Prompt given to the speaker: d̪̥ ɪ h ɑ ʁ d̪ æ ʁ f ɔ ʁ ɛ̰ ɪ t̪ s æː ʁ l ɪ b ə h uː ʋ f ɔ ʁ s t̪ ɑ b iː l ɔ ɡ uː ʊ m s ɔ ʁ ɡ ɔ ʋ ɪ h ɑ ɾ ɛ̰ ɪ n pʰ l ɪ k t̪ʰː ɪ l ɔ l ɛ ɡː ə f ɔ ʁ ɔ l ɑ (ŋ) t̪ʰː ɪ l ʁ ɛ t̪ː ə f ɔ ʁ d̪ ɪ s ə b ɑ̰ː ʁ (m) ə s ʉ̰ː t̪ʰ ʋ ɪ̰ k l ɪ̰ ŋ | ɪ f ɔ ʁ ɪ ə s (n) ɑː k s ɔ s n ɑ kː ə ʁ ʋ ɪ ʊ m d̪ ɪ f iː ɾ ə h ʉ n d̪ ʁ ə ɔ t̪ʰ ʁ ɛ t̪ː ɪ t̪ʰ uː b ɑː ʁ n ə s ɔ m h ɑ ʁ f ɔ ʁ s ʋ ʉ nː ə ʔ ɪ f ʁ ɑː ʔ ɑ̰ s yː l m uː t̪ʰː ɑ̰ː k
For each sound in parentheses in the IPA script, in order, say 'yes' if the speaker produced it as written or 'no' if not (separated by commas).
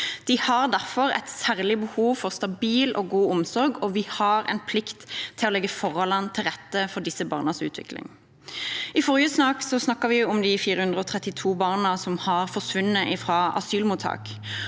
no, no, yes